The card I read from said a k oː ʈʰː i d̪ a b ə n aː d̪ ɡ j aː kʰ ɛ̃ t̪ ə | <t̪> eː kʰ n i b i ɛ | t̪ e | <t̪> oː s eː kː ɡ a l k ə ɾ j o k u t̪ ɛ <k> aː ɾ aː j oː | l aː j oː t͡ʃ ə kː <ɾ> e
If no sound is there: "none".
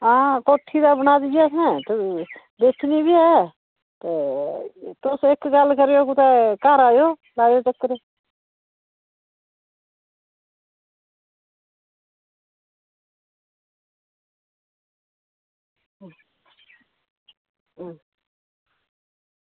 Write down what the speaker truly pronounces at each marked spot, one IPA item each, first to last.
d̪, t̪, k, ɾ

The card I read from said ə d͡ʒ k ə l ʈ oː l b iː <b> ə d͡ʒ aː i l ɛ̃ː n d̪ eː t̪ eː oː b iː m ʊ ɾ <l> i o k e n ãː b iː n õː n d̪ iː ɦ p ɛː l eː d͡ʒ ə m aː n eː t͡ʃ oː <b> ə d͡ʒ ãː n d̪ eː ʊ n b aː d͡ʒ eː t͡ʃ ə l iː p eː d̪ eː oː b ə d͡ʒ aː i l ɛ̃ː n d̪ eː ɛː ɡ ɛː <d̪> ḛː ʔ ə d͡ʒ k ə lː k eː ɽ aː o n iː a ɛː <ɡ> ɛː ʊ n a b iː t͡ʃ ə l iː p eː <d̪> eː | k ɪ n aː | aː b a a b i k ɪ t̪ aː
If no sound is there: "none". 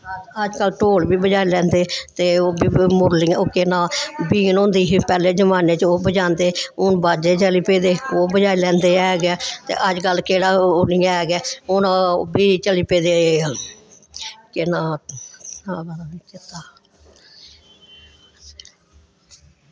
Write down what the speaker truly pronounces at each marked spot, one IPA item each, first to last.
b, l, b, t̪, ɡ, d̪

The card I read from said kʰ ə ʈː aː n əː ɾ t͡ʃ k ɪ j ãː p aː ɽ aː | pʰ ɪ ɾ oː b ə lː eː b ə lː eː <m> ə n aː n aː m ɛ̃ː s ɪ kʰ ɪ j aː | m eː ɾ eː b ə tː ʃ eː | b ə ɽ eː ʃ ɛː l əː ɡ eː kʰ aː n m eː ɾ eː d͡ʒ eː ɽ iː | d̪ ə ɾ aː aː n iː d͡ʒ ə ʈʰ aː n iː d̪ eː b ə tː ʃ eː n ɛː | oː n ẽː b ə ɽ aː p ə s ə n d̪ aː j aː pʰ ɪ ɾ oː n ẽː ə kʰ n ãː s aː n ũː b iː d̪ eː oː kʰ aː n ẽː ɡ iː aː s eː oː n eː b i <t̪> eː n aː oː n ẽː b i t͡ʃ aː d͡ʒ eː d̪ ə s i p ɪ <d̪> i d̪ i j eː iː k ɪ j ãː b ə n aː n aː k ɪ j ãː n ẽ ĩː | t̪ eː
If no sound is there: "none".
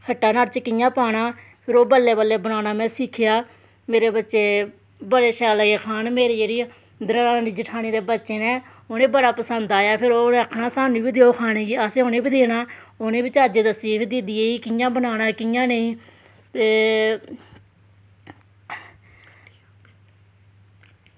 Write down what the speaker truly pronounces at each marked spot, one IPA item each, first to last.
b, d̪, d̪

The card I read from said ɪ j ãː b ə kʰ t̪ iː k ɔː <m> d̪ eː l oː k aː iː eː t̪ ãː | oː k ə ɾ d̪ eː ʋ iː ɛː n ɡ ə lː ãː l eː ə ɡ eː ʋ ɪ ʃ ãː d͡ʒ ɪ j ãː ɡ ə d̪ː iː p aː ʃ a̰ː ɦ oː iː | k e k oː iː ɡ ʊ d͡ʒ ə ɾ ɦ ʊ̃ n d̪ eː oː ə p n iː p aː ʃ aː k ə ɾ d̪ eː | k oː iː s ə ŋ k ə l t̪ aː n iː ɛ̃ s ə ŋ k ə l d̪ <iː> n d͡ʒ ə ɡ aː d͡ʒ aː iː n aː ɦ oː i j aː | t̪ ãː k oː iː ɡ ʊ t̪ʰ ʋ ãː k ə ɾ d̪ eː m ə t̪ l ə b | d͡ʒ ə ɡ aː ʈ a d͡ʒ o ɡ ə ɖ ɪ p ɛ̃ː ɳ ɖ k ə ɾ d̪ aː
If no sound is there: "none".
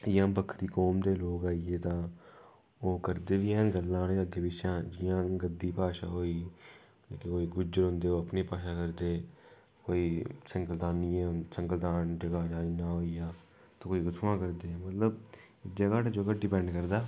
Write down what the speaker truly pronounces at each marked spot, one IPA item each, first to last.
m, aː

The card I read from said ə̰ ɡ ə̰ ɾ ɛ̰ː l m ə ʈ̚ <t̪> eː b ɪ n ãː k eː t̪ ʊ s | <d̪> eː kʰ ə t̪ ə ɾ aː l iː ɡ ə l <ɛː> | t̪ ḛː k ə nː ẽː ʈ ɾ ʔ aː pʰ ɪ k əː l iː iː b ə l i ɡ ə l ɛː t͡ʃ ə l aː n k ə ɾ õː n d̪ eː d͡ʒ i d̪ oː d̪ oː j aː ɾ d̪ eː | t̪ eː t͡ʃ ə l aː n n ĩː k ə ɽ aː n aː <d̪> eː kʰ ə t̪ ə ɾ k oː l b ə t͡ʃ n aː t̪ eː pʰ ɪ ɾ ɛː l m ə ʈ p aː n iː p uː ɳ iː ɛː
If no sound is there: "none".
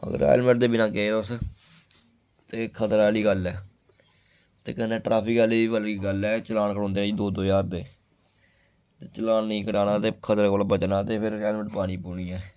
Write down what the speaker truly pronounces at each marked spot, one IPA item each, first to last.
d̪, t̪, ɛː, t̪

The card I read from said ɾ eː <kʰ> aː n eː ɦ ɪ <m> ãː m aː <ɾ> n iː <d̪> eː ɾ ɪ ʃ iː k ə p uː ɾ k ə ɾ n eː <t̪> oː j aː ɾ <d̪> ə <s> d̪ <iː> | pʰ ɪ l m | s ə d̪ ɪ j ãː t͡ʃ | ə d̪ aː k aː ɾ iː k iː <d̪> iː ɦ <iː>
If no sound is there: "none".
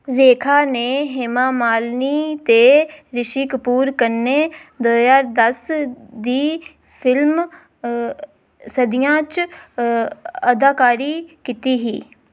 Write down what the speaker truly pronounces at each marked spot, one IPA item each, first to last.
kʰ, m, l, t̪, d̪, d̪, s, iː, t̪, iː

